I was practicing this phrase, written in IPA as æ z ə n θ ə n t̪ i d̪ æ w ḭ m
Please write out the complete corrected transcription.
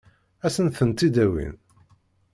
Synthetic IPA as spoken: æ s ə n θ ə n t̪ i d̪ æ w ḭ n